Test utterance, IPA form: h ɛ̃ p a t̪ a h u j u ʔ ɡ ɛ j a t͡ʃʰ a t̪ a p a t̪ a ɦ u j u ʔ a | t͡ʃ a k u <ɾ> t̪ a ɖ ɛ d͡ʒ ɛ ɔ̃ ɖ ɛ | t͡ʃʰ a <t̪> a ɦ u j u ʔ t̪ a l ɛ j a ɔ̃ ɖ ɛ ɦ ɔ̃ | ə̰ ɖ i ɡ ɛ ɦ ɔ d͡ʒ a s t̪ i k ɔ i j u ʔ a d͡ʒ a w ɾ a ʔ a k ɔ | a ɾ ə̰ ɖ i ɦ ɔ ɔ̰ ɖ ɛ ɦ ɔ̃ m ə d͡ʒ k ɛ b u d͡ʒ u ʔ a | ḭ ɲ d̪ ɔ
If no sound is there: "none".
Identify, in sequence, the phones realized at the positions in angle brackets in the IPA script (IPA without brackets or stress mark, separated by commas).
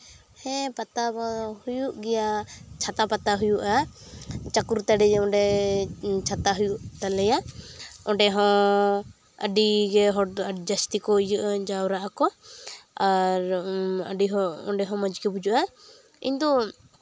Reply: ɾ, t̪